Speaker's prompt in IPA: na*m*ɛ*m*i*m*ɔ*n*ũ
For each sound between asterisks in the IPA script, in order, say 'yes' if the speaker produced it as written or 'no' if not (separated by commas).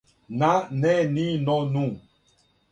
no, no, no, yes